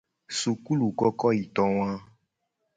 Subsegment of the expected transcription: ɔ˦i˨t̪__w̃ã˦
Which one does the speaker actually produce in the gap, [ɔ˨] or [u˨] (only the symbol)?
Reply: ɔ˨